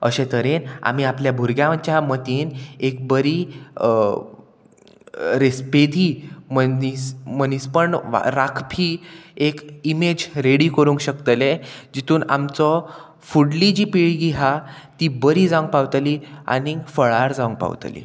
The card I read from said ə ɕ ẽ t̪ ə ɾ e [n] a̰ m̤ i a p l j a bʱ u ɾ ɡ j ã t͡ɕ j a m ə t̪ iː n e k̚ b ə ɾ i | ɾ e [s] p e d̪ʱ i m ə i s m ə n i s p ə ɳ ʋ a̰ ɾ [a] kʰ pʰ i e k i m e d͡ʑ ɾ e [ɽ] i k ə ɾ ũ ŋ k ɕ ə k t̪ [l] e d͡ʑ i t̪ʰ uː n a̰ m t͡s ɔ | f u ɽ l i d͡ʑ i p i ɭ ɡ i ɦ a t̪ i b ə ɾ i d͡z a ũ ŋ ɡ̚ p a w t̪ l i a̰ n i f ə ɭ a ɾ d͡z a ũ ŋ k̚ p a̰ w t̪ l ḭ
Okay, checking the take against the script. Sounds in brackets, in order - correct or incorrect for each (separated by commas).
correct, correct, correct, correct, correct